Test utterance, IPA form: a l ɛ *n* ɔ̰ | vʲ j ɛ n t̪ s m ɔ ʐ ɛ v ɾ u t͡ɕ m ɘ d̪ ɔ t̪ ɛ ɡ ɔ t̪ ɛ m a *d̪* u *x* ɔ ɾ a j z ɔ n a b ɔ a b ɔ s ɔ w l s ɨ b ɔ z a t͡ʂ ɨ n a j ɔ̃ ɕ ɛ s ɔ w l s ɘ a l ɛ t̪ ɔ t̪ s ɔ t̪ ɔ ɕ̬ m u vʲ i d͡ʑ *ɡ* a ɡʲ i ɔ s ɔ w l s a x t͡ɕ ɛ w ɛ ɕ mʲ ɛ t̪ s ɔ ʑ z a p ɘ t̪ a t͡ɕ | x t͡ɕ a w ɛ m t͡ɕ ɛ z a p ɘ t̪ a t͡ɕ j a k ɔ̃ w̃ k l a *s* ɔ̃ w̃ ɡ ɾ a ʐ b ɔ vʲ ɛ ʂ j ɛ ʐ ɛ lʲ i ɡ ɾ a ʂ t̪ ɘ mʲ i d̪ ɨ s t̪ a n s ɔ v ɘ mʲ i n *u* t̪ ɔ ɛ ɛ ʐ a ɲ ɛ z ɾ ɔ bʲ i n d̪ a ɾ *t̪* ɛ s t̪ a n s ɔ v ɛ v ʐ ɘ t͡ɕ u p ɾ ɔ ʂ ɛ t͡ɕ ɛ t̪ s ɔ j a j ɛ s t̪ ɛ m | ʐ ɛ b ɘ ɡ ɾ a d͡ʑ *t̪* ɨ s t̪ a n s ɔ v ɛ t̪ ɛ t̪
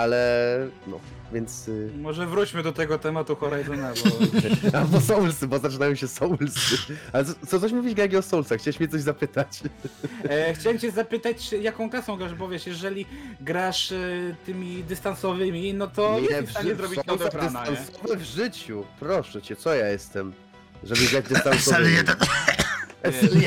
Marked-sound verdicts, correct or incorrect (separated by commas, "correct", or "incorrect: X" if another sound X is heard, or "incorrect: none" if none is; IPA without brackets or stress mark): correct, incorrect: t̪, correct, correct, correct, incorrect: ɔ, incorrect: d̪, incorrect: d̪